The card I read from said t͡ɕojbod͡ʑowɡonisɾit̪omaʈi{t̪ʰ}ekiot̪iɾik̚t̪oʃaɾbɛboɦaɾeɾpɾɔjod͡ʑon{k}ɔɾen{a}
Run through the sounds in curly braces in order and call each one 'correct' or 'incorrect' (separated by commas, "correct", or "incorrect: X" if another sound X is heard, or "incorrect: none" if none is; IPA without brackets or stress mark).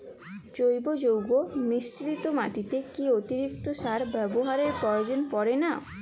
incorrect: t̪, incorrect: p, correct